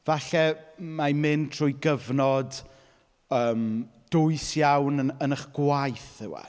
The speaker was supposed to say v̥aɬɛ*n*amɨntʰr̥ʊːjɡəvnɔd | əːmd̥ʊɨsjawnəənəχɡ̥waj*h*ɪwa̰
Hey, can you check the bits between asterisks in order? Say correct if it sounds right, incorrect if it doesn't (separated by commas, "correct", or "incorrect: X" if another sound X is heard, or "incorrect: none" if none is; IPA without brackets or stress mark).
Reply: incorrect: m, incorrect: θ